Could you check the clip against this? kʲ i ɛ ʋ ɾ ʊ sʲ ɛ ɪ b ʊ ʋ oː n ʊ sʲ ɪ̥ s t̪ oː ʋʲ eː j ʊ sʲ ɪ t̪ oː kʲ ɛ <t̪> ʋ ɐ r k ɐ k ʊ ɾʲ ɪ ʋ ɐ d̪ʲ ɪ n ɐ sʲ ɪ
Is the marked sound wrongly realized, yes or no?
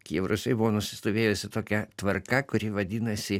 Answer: no